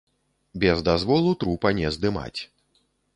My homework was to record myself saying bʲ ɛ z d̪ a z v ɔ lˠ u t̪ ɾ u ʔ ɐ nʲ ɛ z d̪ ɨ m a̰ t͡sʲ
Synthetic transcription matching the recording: bʲ ɛ z d̪ a z v ɔ lˠ u t̪ ɾ u p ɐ nʲ ɛ z d̪ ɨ m a̰ t͡sʲ